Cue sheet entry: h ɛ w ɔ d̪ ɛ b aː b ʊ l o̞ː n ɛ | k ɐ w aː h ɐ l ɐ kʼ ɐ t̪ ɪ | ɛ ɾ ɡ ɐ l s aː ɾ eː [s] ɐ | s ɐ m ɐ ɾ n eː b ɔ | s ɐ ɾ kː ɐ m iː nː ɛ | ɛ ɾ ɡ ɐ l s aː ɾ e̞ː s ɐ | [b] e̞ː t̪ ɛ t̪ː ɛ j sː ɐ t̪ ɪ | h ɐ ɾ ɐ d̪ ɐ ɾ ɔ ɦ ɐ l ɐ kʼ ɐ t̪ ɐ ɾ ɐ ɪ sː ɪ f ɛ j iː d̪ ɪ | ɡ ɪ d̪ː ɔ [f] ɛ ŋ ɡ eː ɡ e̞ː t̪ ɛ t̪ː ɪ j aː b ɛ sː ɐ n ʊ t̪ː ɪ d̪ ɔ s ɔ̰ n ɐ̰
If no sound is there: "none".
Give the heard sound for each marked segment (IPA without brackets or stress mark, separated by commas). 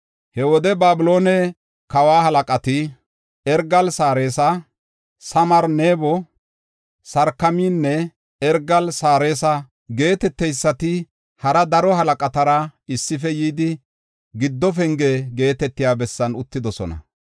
s, ɡ, f